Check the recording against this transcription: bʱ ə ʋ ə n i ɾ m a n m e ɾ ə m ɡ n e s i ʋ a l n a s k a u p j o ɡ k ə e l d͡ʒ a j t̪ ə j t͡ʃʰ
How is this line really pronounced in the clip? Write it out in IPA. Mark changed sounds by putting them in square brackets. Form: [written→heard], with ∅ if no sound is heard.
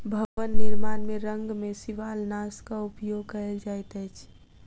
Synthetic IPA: bʱ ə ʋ ə [n→nː] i ɾ m a n m e ɾ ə [m→ŋ] ɡ [n→m] e s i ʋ a l n a s k a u p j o ɡ k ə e l d͡ʒ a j t̪ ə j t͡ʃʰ